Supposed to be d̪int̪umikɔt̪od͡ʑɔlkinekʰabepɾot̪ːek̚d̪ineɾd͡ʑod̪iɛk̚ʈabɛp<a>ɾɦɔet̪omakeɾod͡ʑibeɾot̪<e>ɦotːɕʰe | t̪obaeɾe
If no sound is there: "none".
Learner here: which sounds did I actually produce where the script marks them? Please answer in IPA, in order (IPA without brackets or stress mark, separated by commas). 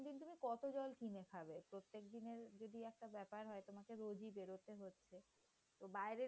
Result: a, e